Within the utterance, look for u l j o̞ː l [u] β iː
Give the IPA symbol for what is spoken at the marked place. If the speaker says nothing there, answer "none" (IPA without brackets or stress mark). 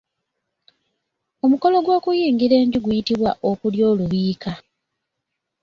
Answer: u